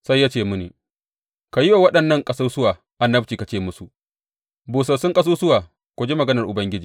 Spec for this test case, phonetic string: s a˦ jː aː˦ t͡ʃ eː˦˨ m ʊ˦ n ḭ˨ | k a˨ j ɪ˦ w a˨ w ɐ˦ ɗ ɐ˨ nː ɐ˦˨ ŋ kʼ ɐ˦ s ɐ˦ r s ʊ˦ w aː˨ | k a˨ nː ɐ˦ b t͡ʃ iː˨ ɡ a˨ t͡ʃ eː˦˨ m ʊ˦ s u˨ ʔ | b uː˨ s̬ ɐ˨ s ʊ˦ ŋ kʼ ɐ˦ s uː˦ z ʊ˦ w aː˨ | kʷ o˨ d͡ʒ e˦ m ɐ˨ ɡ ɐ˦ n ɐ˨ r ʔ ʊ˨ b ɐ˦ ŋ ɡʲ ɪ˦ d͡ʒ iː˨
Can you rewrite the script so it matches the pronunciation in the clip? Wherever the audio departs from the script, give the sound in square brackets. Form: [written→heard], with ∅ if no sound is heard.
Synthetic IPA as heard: s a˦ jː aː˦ t͡ʃ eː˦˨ m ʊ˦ n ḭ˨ | k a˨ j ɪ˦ w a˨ w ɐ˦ ɗ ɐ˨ nː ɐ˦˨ ŋ kʼ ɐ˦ s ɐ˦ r s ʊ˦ w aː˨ | [k→ʔ] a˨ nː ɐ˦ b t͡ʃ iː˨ [ɡ→k] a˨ t͡ʃ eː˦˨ m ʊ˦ s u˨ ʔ | b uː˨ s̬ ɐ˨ s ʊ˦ ŋ kʼ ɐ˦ s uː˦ [z→s] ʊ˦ w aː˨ | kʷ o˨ d͡ʒ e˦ m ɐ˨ ɡ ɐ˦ n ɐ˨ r ʔ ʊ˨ b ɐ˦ ŋ ɡʲ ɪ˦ d͡ʒ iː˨